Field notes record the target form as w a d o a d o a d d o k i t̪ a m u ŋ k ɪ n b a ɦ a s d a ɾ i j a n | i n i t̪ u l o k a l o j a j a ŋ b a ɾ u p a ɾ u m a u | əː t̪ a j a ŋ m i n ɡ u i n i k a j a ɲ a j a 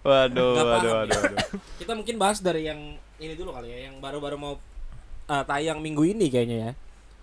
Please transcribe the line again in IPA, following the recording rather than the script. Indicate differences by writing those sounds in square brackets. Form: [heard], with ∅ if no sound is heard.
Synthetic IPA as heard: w a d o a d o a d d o k i t̪ a m u ŋ k ɪ n b a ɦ a s d a ɾ i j a [ŋ] | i n i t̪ u l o k a l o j a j a ŋ b a ɾ u [b] a ɾ u m a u | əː t̪ a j a ŋ m i [ŋ] ɡ u i n i k a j a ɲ a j a